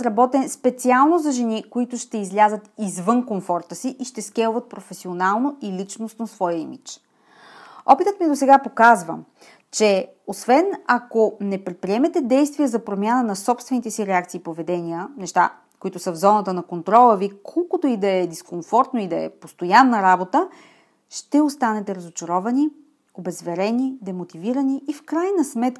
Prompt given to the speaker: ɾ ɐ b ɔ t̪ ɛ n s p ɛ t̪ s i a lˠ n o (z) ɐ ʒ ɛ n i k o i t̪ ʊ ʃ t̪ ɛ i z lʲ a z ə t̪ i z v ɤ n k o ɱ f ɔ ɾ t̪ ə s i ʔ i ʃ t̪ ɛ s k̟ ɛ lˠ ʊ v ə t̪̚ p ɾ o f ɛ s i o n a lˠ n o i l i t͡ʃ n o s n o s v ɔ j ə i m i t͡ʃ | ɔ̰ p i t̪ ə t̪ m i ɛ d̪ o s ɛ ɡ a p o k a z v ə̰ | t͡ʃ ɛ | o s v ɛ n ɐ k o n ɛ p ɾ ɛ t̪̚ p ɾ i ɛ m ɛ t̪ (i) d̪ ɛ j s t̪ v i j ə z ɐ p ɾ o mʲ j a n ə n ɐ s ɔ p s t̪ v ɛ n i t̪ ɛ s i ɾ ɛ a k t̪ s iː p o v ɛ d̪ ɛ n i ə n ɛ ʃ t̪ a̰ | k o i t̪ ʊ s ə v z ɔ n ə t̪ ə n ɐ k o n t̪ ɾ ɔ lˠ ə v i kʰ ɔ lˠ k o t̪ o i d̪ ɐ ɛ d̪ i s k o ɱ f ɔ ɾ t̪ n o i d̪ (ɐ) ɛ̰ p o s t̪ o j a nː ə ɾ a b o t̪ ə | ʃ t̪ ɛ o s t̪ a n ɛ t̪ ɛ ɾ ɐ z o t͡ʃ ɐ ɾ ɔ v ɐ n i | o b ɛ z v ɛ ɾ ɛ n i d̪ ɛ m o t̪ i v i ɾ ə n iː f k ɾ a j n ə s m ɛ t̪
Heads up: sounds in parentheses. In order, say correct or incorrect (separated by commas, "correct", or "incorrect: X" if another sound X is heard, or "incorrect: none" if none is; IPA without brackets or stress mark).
correct, incorrect: ɛ, correct